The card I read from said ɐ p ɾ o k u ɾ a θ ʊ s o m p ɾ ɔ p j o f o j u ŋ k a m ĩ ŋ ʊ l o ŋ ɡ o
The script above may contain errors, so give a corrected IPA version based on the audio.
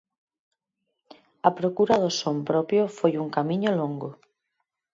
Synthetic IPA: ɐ p ɾ o k u ɾ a ð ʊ s o m p ɾ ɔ p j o f o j u ŋ k a m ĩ ɲ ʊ l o ŋ ɡ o